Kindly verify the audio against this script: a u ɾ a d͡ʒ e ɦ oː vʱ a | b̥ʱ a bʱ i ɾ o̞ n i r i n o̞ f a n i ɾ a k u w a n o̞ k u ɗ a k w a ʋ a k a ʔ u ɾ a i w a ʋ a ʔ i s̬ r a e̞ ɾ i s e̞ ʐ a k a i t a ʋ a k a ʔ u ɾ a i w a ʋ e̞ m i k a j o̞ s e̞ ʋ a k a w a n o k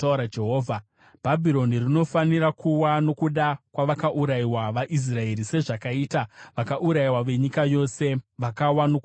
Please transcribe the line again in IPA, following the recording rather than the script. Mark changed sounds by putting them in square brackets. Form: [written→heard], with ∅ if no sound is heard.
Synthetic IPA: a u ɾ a d͡ʒ e ɦ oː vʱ a | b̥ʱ a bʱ i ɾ o̞ n i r i n o̞ f a n i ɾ a k u w a n o̞ k u ɗ a k w a ʋ a k a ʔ u ɾ a i w a ʋ a ʔ i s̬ r a e̞ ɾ i s e̞ ʐ a k a i t a ʋ a k a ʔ u ɾ a i w a ʋ e̞ [m→ɲ] i k a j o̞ s e̞ ʋ a k a w a n o k